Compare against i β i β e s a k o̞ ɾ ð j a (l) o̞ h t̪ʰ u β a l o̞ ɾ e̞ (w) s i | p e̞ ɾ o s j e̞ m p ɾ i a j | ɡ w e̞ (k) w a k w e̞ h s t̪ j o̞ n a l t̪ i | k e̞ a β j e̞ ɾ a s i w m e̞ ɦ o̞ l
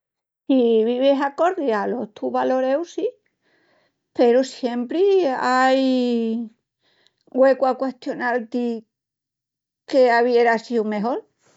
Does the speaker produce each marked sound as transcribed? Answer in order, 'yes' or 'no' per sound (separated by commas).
yes, yes, yes